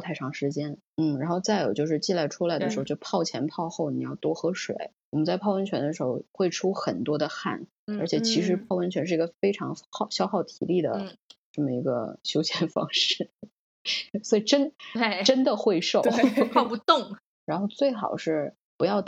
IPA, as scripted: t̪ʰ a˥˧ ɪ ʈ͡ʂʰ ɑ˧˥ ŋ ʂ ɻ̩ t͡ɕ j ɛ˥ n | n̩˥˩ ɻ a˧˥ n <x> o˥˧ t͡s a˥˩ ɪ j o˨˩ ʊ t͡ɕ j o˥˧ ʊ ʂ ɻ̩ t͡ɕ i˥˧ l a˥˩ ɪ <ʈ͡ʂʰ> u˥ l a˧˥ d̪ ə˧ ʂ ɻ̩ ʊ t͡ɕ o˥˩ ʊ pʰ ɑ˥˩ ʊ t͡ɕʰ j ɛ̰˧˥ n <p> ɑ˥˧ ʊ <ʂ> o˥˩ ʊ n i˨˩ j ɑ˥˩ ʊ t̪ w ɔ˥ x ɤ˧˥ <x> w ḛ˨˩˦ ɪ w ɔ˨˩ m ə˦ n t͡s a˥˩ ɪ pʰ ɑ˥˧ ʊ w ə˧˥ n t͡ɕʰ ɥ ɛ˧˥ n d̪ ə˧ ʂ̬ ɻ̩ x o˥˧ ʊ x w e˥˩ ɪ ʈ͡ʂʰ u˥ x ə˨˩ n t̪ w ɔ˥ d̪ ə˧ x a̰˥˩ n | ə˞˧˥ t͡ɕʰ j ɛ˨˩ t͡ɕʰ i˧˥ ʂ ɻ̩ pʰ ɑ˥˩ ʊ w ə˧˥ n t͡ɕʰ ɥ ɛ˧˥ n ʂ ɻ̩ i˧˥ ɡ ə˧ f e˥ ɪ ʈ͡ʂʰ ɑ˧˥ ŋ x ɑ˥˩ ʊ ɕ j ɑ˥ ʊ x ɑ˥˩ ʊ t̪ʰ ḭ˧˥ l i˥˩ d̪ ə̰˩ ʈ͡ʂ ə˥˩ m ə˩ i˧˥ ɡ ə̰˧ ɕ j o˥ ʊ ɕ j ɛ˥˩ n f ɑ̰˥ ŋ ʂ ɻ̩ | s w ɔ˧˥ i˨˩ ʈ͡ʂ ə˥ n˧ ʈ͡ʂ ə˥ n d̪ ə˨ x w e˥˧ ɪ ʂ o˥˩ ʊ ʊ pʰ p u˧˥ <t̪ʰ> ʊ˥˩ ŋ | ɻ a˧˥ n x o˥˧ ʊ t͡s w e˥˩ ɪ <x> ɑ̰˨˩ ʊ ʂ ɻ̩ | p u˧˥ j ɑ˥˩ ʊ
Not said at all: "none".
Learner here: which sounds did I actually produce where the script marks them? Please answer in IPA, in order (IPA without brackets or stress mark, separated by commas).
x, ʈ͡ʂʰ, pʰ, x, ʂ, t̪, x